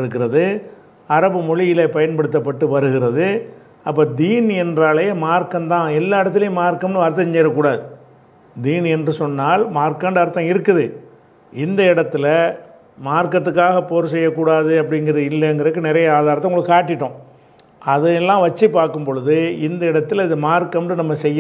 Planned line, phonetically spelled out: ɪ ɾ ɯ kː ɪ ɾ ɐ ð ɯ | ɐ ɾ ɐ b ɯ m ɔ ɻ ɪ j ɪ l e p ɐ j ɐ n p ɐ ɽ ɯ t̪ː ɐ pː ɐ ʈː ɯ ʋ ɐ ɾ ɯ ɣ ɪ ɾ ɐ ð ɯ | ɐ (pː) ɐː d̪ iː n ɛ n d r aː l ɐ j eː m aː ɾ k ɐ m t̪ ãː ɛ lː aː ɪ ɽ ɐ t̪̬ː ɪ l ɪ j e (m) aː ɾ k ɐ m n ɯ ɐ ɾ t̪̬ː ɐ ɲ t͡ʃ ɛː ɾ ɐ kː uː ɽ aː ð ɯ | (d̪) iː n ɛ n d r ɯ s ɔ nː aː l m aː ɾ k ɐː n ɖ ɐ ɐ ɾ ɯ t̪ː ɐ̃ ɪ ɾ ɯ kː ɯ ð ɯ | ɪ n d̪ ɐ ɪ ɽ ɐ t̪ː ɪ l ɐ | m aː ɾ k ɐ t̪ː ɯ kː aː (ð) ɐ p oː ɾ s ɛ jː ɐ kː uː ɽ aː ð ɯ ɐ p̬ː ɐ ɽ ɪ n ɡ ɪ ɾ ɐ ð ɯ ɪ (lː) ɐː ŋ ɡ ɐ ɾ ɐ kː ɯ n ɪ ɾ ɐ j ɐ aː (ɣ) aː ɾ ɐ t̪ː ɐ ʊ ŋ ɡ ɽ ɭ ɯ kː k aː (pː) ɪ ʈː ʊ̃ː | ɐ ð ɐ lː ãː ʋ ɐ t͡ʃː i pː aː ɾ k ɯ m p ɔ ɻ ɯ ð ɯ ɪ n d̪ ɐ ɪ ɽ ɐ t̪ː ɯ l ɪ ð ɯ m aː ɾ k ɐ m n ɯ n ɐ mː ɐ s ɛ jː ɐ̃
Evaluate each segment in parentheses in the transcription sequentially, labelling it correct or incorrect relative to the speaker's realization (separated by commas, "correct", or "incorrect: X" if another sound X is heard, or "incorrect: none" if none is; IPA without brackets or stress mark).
correct, correct, correct, incorrect: ɣ, correct, incorrect: ð, incorrect: ʈː